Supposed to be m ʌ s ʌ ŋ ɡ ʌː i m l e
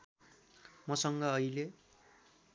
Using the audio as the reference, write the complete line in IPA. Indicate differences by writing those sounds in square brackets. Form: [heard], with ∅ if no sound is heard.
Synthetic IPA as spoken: m ʌ s ʌ ŋ ɡ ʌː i [∅] l e

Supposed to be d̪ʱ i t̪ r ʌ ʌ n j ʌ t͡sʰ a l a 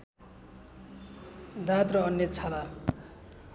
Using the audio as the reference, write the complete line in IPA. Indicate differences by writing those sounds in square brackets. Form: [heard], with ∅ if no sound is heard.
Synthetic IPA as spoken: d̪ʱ [a] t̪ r ʌ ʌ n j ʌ t͡sʰ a l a

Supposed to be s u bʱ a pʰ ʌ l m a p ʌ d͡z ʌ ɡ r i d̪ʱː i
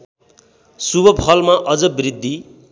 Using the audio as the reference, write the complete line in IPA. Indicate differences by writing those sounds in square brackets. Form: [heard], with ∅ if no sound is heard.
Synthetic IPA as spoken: s u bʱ [ʌ] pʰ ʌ l m a [ʔ] ʌ d͡z ʌ [b] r i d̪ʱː i

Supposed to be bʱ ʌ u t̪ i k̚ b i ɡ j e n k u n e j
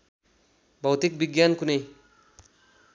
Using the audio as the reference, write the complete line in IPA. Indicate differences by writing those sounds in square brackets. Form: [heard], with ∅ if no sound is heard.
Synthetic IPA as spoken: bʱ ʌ [w] t̪ i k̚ b i ɡ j [a] n k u n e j

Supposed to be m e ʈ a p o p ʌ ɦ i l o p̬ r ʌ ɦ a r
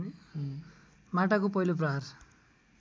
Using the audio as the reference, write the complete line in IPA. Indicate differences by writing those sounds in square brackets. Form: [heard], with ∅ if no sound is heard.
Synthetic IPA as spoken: m [a] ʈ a [k] o p ʌ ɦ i l o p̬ r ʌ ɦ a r

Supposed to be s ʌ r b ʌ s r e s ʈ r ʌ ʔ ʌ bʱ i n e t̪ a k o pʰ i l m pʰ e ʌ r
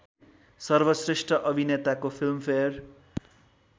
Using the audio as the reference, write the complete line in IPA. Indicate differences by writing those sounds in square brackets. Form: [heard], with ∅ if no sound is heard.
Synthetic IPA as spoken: s ʌ r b ʌ s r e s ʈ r ʌ ʔ ʌ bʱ i n e t̪ a k o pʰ i l m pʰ e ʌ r

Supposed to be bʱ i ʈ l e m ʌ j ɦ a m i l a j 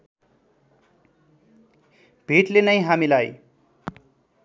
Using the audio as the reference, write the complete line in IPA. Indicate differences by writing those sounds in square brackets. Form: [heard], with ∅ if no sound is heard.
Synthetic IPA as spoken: bʱ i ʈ l e [n] ʌ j ɦ a m i l a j

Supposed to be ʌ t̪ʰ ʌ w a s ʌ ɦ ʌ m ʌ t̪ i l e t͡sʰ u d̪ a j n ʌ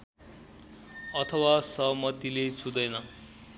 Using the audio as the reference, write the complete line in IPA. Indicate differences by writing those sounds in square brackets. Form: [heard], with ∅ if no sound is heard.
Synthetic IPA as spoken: ʌ t̪ʰ ʌ w a s ʌ ɦ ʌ m ʌ t̪ i l e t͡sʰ u d̪ [ʌ] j n ʌ

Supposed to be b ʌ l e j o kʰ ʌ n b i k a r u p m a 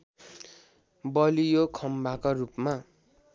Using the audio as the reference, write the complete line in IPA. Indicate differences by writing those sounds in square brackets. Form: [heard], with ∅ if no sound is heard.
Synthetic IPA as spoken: b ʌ l [i] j o kʰ ʌ [m] b [a] k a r u p m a

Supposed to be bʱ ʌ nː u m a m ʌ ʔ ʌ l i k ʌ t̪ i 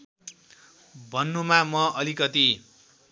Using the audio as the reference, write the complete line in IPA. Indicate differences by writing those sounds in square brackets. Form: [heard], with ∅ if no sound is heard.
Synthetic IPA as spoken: bʱ ʌ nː u m a m ʌ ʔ ʌ l i k ʌ t̪ i

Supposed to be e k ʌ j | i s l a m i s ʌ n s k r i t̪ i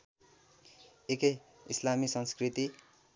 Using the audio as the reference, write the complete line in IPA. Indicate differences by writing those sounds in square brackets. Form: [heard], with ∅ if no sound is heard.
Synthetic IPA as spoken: e k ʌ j | i s l a m i s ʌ n s k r i t̪ i

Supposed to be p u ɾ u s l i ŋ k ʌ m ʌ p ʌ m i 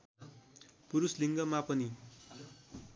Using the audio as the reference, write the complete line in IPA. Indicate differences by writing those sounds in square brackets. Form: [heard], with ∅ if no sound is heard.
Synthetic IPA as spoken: p u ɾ u s l i ŋ [ɡ] ʌ m [a] p ʌ [n] i

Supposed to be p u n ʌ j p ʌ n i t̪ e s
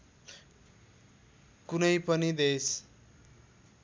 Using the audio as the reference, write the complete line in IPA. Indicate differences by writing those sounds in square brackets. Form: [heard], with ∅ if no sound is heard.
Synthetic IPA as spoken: [k] u n ʌ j p ʌ n i [d̪] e s

